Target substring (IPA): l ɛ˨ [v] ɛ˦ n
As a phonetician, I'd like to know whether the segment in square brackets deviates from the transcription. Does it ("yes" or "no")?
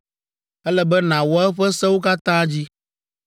yes